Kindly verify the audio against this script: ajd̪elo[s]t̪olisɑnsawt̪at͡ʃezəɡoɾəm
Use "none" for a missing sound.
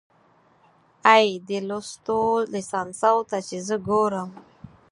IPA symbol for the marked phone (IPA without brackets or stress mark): s